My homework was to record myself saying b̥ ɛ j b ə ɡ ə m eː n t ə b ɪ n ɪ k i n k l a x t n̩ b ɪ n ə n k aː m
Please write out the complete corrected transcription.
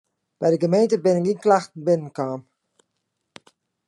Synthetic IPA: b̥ ɛ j d ə ɡ ə m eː n t ə b ɪ n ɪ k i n k l a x t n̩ b ɪ n ə n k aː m